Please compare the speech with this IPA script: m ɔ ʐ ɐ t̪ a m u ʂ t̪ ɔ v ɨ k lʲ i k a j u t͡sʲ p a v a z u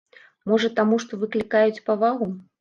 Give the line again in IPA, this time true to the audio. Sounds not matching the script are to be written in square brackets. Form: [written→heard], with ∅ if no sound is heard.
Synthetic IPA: m ɔ ʐ ɐ t̪ a m u ʂ t̪ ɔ v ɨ k lʲ i k a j u t͡sʲ p a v a [z→ɣ] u